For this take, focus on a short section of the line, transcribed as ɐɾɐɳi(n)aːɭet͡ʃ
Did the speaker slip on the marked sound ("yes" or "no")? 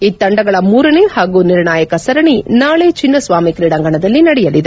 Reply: no